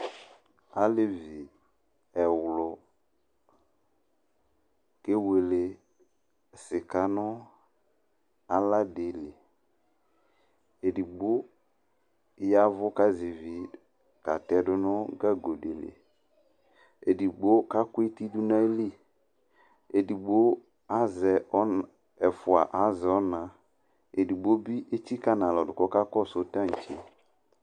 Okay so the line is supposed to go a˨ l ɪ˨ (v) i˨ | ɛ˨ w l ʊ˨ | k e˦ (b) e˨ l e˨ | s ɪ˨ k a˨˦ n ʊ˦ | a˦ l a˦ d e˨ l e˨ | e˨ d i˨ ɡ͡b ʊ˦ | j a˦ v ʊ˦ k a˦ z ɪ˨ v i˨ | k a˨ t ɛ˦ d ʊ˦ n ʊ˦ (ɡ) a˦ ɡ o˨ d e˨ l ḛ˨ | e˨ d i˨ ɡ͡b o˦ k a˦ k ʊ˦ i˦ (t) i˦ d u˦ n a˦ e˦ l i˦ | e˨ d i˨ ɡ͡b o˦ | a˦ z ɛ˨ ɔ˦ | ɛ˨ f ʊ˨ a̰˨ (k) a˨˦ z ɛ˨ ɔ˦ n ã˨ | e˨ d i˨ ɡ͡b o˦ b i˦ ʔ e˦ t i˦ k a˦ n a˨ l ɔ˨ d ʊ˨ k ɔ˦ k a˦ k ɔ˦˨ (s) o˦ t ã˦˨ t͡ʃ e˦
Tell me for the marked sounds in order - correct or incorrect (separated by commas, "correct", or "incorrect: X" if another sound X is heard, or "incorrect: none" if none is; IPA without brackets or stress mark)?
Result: correct, incorrect: w, correct, correct, incorrect: ʔ, correct